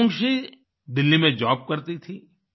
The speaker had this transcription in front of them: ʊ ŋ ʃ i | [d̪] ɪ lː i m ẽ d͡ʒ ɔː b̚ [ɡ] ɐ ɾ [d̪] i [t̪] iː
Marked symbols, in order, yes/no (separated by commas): yes, no, no, no